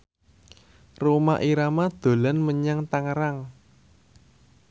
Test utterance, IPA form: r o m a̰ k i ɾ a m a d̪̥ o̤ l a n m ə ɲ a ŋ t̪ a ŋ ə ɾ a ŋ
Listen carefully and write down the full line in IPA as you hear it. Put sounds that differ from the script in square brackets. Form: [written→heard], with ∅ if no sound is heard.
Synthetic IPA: r o m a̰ [k→ʔ] i ɾ a m a d̪̥ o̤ l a n m ə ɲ a ŋ t̪ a ŋ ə ɾ a ŋ